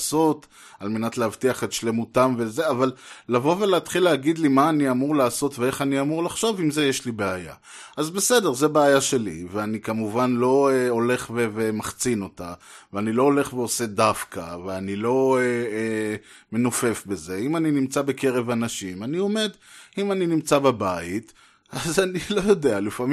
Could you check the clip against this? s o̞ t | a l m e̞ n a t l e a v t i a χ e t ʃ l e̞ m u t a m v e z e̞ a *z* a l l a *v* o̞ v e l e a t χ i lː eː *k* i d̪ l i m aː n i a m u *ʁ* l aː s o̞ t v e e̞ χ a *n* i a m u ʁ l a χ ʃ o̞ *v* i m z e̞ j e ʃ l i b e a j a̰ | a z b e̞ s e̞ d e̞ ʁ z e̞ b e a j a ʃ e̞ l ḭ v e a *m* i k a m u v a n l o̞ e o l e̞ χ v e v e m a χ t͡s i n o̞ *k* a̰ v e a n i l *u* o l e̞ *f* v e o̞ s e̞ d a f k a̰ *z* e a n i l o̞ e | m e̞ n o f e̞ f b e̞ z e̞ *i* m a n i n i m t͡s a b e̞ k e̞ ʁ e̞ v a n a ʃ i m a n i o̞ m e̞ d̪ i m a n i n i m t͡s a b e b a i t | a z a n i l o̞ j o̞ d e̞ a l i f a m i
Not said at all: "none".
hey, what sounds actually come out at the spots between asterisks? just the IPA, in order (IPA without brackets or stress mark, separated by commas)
v, v, ɡ, ʁ, n, v, n, t, o, χ, v, i